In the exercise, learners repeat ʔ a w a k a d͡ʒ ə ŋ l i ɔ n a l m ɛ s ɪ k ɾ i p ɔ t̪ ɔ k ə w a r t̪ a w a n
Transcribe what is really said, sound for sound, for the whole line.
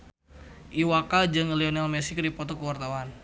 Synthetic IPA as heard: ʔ i w a k a d͡ʒ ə ŋ l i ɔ n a l m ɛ s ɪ k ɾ i p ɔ t̪ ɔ k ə w a r t̪ a w a n